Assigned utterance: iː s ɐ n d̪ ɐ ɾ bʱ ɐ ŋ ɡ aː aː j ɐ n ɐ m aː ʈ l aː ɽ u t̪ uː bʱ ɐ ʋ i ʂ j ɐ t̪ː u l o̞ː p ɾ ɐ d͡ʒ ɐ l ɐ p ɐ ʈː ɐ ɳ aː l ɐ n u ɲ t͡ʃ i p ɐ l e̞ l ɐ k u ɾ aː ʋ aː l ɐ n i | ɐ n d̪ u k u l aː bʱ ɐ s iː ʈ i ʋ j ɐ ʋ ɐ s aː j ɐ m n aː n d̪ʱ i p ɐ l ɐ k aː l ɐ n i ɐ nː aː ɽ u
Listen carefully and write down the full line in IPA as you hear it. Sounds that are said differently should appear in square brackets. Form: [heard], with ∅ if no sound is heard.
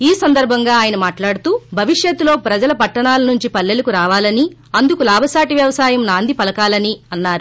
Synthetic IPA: iː s ɐ n d̪ ɐ ɾ bʱ ɐ ŋ ɡ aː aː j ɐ n ɐ m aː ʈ l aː ɽ u t̪ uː bʱ ɐ ʋ i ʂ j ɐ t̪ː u l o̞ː p ɾ ɐ d͡ʒ ɐ l ɐ p ɐ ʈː ɐ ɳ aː l ɐ n u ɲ t͡ʃ i p ɐ [lː] e̞ l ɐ k u ɾ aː ʋ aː l ɐ n i | ɐ n d̪ u k u l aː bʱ ɐ s [aː] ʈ i ʋ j ɐ ʋ ɐ s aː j ɐ m n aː n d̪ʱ i p ɐ l ɐ k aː l ɐ n i ɐ nː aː [ɾ] u